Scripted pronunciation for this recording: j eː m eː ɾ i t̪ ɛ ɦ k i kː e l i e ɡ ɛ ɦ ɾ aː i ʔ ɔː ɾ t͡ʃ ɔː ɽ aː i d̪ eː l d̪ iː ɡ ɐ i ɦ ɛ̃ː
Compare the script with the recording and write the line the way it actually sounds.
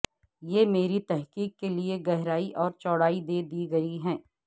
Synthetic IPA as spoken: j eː m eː ɾ i t̪ ɛ ɦ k iː kː e l i e ɡ ɛ ɦ ɾ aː i ʔ ɔː ɾ t͡ʃ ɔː ɽ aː i d̪ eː d̪ iː ɡ ɐ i ɦ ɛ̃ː